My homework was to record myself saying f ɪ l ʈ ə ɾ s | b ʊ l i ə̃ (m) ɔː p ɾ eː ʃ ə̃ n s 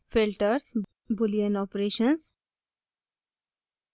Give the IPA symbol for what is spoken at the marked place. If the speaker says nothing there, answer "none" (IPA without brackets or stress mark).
n